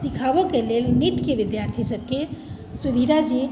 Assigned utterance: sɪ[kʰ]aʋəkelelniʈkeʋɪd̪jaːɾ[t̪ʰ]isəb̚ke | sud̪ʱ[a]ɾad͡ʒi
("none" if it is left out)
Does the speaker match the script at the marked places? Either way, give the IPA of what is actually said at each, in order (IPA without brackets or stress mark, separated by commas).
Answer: kʰ, t̪ʰ, i